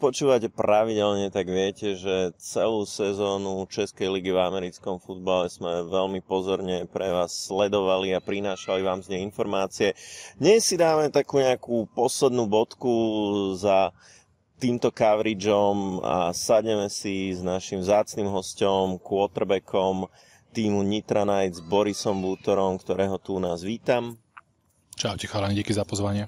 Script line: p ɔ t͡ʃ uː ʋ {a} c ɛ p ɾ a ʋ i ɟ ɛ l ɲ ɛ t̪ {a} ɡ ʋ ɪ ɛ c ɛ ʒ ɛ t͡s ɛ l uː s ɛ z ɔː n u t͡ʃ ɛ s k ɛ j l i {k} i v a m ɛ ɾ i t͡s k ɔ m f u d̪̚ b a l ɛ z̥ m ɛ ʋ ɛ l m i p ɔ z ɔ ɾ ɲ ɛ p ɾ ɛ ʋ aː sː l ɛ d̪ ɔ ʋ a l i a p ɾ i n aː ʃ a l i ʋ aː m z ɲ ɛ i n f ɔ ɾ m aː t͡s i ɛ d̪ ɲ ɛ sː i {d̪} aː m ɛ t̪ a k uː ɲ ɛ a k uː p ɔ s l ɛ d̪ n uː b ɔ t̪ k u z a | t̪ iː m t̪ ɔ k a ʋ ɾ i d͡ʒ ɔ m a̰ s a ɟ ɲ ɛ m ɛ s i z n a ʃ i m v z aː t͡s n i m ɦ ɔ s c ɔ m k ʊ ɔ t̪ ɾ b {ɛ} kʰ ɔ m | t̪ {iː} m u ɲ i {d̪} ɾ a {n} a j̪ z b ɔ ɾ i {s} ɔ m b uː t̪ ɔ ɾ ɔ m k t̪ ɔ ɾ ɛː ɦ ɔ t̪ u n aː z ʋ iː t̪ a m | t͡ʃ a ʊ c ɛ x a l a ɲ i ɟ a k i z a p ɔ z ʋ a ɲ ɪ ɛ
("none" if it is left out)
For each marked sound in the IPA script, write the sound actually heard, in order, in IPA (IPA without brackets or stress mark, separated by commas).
a, a, ɡ, d̪, ɛ, iː, t̪, n, s